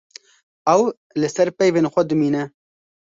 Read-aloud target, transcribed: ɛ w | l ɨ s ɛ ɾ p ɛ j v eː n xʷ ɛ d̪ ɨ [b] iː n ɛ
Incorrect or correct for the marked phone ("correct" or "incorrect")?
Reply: incorrect